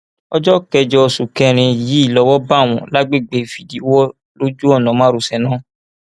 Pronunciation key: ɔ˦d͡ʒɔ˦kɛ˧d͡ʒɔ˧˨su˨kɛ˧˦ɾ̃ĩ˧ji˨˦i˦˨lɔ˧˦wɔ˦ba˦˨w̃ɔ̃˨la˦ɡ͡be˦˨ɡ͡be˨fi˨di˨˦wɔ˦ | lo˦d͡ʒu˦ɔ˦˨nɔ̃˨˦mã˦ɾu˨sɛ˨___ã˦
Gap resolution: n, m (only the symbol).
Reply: n